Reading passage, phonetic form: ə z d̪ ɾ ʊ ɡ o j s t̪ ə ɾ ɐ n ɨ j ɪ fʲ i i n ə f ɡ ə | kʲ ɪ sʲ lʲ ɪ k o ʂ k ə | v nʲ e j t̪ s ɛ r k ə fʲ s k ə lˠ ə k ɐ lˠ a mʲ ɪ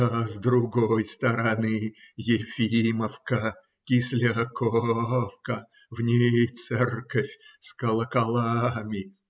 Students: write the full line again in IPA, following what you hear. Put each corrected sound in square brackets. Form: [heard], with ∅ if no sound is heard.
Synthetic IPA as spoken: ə z d̪ ɾ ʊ ɡ o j s t̪ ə ɾ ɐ n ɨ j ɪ fʲ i i [m] ə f [k] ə | kʲ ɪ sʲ lʲ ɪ k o [f] k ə | v nʲ e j t̪ s ɛ r k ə fʲ s k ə lˠ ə k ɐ lˠ a mʲ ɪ

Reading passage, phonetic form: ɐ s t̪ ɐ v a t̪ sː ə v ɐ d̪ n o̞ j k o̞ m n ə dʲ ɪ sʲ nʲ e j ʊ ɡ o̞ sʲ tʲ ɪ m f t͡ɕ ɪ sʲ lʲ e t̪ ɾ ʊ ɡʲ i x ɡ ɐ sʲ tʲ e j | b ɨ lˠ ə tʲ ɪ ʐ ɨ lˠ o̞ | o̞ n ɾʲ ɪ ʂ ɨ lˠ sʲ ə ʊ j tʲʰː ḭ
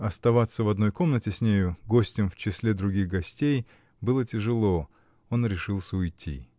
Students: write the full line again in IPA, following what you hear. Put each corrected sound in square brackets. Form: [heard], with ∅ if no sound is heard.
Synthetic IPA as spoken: ɐ s t̪ ɐ v a t̪ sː ə v ɐ d̪ n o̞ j k o̞ m n ə [tʲ] ɪ sʲ nʲ e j ʊ ɡ o̞ sʲ tʲ ɪ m f t͡ɕ ɪ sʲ lʲ e [d̪] ɾ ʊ ɡʲ i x ɡ ɐ sʲ tʲ e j | b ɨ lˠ ə tʲ ɪ ʐ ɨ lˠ o̞ | o̞ n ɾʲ ɪ ʂ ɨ lˠ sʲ ə ʊ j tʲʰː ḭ

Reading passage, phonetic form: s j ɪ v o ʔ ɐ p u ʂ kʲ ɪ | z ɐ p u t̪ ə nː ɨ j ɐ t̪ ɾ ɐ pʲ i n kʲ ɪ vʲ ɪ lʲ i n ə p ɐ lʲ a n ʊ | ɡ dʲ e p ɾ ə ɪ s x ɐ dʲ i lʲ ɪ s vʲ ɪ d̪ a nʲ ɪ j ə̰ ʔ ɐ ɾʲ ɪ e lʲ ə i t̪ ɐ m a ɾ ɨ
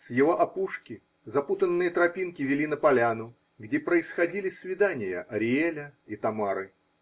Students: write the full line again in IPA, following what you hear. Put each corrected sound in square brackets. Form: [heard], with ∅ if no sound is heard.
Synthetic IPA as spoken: s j ɪ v o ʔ ɐ p u ʂ kʲ ɪ | z ɐ p u t̪ ə nː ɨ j [ə] t̪ ɾ ɐ pʲ i n kʲ ɪ vʲ ɪ lʲ i n ə p ɐ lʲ a n ʊ | ɡ dʲ e p ɾ ə ɪ s x ɐ dʲ i lʲ ɪ s vʲ ɪ d̪ a nʲ ɪ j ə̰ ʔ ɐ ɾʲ ɪ e lʲ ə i t̪ ɐ m a ɾ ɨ

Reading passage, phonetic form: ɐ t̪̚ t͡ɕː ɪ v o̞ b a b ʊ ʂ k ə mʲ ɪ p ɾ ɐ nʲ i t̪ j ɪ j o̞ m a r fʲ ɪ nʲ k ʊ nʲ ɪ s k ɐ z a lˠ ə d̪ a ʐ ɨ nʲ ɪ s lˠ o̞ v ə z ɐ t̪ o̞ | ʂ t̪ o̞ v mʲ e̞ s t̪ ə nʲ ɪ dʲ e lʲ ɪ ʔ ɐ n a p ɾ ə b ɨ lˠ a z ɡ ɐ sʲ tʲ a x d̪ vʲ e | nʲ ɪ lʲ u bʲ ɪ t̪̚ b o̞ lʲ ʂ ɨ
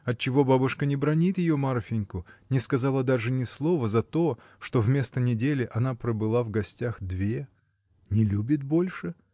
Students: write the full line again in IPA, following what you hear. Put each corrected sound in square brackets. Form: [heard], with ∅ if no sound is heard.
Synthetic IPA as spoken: ɐ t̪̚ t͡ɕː ɪ v o̞ b a b ʊ ʂ k ə [nʲ] ɪ [b] ɾ ɐ nʲ i t̪ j ɪ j o̞ m a r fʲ ɪ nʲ k ʊ nʲ ɪ s k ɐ z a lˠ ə d̪ a ʐ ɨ nʲ ɪ s lˠ o̞ v ə z ɐ t̪ o̞ | ʂ t̪ o̞ v mʲ e̞ s t̪ ə nʲ ɪ dʲ e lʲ ɪ ʔ ɐ n a p ɾ ə b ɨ lˠ a [v] ɡ ɐ sʲ tʲ a x d̪ vʲ e | nʲ ɪ lʲ u bʲ ɪ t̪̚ b o̞ lʲ ʂ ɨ

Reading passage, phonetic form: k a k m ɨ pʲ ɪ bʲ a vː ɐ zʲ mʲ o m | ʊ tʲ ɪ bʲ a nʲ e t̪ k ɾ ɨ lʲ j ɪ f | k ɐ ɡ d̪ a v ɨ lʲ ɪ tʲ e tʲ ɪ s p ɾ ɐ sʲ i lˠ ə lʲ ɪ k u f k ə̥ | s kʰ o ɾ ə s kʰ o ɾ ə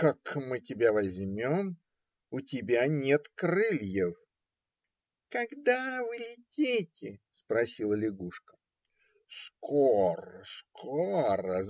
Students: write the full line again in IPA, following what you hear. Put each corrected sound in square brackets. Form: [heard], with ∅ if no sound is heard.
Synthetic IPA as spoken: k a k m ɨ [tʲ] ɪ bʲ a [v] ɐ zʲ mʲ o m | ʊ tʲ ɪ bʲ a nʲ e t̪ k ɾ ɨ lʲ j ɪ f | k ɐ ɡ d̪ a v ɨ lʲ ɪ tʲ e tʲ ɪ s p ɾ ɐ sʲ i lˠ ə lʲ ɪ [ɡ] u [ʂ] k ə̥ | s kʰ o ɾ ə s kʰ o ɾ ə

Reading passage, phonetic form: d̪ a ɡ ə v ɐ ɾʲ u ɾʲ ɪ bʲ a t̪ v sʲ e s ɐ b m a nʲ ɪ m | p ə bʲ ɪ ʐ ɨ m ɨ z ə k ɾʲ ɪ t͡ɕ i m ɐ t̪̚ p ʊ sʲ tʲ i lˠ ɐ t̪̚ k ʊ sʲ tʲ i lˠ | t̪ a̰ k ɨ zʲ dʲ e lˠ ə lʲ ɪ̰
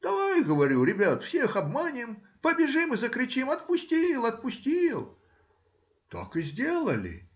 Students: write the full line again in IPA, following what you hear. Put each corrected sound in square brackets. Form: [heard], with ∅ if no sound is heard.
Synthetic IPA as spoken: d̪ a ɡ ə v ɐ ɾʲ u ɾʲ ɪ bʲ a t̪ [f] sʲ e [x] ɐ b m a nʲ ɪ m | p ə bʲ ɪ ʐ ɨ m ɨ z ə k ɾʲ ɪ t͡ɕ i m ɐ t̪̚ p ʊ sʲ tʲ i lˠ ɐ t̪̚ [p] ʊ sʲ tʲ i lˠ | t̪ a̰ k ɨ zʲ dʲ e lˠ ə lʲ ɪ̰

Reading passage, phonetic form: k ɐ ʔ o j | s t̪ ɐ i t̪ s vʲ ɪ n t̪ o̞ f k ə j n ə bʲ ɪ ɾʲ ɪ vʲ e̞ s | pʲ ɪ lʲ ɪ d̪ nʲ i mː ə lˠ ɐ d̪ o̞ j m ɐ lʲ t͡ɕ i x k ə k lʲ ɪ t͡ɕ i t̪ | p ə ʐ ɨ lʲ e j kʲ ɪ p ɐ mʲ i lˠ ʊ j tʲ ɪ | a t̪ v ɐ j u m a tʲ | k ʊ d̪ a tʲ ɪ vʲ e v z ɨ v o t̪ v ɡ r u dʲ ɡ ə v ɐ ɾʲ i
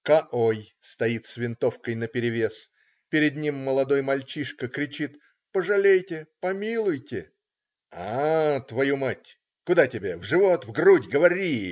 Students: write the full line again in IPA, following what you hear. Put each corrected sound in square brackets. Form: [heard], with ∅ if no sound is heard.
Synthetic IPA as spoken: k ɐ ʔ o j | s t̪ ɐ i t̪ s vʲ ɪ n t̪ o̞ f k ə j n ə [pʲ] ɪ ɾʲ ɪ vʲ e̞ s | pʲ ɪ [ɾʲ] ɪ d̪ nʲ i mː ə lˠ ɐ d̪ o̞ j m ɐ lʲ t͡ɕ i [ʂ] k ə k [ɾʲ] ɪ t͡ɕ i t̪ | p ə ʐ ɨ lʲ e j [tʲ] ɪ p ɐ mʲ i lˠ ʊ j tʲ ɪ | a t̪ v ɐ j u m a tʲ | k ʊ d̪ a tʲ ɪ [bʲ] e v [ʐ] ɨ v o t̪ v ɡ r u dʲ ɡ ə v ɐ ɾʲ i

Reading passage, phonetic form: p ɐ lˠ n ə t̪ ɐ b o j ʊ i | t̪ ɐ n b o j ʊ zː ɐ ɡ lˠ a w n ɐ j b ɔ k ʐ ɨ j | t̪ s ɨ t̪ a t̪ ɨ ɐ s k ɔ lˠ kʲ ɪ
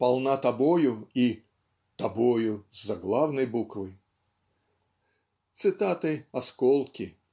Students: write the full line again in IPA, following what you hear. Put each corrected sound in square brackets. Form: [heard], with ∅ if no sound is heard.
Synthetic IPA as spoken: p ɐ lˠ n [a] t̪ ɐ b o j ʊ i | t̪ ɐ [∅] b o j ʊ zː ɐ ɡ lˠ a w n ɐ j b [u] k [v] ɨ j | t̪ s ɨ t̪ a t̪ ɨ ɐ s k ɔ lˠ kʲ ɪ

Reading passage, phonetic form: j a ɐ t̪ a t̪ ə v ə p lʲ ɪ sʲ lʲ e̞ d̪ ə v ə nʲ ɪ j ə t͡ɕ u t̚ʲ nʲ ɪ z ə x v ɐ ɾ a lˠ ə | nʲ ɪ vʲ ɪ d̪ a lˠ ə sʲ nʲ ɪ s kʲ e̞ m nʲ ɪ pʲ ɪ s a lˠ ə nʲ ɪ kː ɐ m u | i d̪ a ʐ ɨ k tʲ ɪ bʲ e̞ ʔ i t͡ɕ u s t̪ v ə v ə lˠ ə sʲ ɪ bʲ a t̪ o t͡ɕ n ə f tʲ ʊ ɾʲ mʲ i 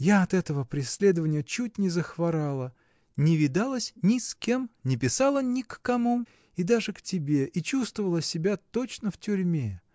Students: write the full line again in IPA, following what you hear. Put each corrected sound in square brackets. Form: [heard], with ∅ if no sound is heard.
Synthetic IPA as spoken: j a ɐ t̪ [ɛ] t̪ ə v ə p [ɾʲ] ɪ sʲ lʲ e̞ d̪ ə v ə nʲ ɪ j ə t͡ɕ u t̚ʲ nʲ ɪ z ə x v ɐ ɾ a lˠ ə | nʲ ɪ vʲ ɪ d̪ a lˠ ə sʲ nʲ ɪ s kʲ e̞ m nʲ ɪ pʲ ɪ s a lˠ ə nʲ ɪ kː ɐ m u | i d̪ a ʐ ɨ k tʲ ɪ bʲ e̞ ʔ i t͡ɕ u s t̪ v ə v ə lˠ ə sʲ ɪ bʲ a t̪ o t͡ɕ n ə f tʲ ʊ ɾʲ mʲ [e]

